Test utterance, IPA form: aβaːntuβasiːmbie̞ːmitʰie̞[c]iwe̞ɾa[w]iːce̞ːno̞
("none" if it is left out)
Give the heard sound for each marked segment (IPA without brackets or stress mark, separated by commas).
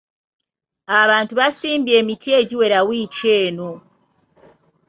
ɟ, w